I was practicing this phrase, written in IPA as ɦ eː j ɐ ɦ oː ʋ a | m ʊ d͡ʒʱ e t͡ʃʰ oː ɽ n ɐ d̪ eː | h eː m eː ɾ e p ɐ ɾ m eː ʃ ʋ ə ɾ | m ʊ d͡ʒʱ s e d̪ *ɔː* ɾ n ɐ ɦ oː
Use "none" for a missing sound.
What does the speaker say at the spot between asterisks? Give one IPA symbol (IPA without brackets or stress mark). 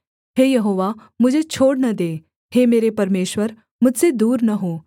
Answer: uː